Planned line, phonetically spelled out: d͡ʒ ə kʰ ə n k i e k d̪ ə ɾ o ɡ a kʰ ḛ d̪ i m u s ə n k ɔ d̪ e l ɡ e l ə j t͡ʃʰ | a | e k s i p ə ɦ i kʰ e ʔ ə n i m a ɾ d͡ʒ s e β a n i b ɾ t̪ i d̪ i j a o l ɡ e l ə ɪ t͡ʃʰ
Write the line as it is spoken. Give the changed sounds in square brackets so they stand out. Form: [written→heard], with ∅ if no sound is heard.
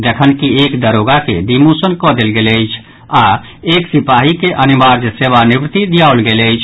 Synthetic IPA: d͡ʒ ə kʰ ə n k i e k d̪ ə ɾ o ɡ a [kʰ→k] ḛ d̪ i m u s ə n k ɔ d̪ e l ɡ e l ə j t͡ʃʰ | a | e k s i p [ə→a] ɦ i [kʰ→k] e ʔ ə n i m a ɾ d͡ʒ s e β a n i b ɾ t̪ i d̪ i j a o l ɡ e l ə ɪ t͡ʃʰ

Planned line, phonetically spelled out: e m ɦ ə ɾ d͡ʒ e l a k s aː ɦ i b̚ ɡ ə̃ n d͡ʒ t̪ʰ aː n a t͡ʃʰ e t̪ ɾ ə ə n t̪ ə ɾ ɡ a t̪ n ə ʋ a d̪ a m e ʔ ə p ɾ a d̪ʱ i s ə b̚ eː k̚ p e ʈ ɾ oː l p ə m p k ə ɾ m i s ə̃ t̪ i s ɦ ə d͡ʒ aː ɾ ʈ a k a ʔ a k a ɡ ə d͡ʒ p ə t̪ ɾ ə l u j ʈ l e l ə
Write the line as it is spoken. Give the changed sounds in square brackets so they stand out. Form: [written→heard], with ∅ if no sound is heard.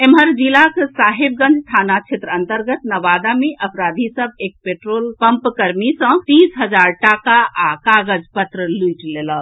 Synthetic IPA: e m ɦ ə ɾ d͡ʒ [e→i] l a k s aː ɦ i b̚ ɡ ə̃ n d͡ʒ t̪ʰ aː n a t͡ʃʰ e t̪ ɾ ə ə n t̪ ə ɾ ɡ [a→ə] t̪ n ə ʋ a d̪ a m e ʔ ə p ɾ a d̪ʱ i s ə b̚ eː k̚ p e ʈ ɾ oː l p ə m p k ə ɾ m i s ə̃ t̪ i s ɦ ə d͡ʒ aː ɾ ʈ a k a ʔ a k a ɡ ə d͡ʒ p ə t̪ ɾ ə l u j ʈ l e l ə

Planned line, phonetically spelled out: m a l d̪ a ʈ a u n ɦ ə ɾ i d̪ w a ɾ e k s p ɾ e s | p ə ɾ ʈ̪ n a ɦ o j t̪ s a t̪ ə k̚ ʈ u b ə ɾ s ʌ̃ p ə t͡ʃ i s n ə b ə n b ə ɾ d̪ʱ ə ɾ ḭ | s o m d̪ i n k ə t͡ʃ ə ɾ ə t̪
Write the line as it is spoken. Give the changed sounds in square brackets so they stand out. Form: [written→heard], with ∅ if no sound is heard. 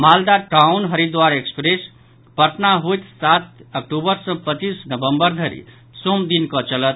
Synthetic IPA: m a l d̪ a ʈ a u n ɦ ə ɾ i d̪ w a ɾ e k s p ɾ e s | p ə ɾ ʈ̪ n a ɦ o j t̪ s a t̪ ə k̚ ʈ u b ə ɾ s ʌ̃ p ə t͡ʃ i s n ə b ə [n→m] b ə ɾ d̪ʱ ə ɾ ḭ | s o m d̪ i n k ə t͡ʃ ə [ɾ→l] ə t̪

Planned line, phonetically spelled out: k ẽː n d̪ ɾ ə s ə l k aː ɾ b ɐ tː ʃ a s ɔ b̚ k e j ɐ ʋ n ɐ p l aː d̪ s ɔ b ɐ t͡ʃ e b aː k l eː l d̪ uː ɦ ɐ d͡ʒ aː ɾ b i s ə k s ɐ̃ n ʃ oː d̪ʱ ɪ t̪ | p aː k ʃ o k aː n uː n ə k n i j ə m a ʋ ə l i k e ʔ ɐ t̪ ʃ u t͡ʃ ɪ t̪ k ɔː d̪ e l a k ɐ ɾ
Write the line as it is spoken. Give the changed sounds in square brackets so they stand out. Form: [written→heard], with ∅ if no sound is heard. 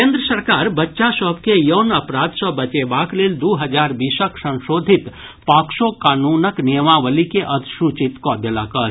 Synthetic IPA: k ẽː n d̪ ɾ ə s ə [l→ɾ] k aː ɾ b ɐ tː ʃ a s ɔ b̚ k e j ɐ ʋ n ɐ p [l→ɾ] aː d̪ s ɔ b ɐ t͡ʃ e b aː k l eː l d̪ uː ɦ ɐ d͡ʒ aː ɾ b i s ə k s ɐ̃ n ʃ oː d̪ʱ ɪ t̪ | p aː k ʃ o k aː n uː n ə k n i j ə m a ʋ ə l i k e ʔ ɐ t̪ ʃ u t͡ʃ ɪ t̪ k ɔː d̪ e l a k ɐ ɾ

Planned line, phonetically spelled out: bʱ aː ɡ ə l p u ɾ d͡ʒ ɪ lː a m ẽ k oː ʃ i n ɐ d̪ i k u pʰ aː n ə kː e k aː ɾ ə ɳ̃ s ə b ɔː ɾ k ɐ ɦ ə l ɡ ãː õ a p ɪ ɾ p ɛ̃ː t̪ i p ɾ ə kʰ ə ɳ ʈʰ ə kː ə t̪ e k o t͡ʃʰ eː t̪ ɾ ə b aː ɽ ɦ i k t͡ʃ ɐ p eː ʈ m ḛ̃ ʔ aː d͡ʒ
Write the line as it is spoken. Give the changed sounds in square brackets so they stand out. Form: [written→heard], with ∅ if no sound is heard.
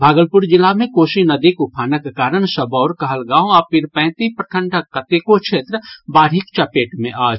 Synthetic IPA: bʱ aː ɡ ə l p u ɾ d͡ʒ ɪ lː a m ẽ k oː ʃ i n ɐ d̪ i k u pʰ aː n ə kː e k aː ɾ ə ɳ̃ s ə b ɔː ɾ k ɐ ɦ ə l ɡ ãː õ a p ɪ ɾ p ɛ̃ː t̪ i p ɾ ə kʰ ə ɳ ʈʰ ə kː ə t̪ e k o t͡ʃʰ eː t̪ ɾ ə b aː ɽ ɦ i k t͡ʃ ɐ p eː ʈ m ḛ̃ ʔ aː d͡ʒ

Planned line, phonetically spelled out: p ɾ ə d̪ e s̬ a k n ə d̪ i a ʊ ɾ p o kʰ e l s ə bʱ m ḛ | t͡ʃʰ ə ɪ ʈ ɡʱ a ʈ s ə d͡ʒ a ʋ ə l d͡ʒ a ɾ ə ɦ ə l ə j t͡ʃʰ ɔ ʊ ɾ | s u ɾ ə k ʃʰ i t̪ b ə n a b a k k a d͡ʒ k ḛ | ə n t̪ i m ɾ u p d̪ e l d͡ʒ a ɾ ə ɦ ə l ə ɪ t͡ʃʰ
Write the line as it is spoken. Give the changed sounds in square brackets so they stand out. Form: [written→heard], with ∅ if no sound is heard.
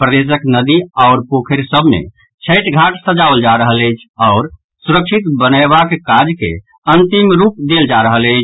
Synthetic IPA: p ɾ ə d̪ e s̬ [a→ə] k n ə d̪ i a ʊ ɾ p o kʰ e [l→ɾ] s ə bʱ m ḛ | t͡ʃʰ ə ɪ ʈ ɡʱ a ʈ s ə d͡ʒ a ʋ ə l d͡ʒ a ɾ ə ɦ ə l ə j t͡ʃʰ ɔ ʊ ɾ | s u ɾ ə k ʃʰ i t̪ b ə n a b a k k a d͡ʒ k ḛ | ə n t̪ i m ɾ u p d̪ e l d͡ʒ a ɾ ə ɦ ə l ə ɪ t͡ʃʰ

